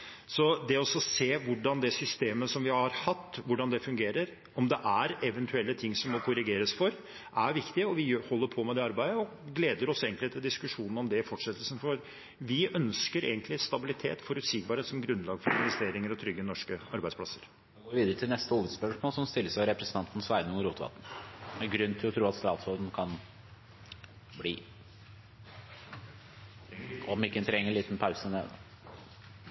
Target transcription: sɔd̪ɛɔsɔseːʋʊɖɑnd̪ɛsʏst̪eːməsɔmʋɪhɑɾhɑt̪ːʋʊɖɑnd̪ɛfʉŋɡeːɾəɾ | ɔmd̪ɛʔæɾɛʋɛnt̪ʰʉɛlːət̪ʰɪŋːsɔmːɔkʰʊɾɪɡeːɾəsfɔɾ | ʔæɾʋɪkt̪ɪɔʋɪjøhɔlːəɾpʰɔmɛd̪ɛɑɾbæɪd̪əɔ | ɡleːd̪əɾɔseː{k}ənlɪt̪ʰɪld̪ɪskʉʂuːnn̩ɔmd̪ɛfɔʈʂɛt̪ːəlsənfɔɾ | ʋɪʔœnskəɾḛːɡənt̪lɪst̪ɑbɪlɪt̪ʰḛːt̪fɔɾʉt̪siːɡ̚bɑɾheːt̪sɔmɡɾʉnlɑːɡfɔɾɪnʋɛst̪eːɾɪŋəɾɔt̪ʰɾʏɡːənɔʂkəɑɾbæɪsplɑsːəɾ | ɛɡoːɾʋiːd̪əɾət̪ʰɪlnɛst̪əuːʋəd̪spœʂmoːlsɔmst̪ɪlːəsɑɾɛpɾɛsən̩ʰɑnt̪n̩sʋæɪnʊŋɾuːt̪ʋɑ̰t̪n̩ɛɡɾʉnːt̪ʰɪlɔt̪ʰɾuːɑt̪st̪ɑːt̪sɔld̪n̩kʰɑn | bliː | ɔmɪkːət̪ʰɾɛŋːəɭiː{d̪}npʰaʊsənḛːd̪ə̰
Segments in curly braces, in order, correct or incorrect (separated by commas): incorrect, incorrect